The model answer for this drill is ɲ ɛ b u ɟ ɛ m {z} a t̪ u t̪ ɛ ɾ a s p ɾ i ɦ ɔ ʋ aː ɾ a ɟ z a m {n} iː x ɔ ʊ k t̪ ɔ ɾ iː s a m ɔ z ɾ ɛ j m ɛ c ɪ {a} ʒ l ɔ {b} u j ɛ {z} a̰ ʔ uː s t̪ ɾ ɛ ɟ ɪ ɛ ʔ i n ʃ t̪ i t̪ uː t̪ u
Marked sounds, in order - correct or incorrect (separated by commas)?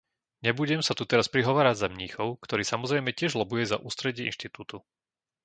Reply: incorrect, incorrect, incorrect, correct, correct